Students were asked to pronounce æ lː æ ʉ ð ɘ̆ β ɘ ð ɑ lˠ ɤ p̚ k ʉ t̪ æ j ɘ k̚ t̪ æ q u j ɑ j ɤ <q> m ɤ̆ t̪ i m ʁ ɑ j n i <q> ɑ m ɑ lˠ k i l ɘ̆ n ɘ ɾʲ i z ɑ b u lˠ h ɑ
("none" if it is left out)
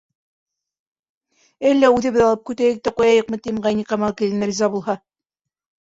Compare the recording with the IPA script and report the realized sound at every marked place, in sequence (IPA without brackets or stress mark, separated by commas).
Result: q, q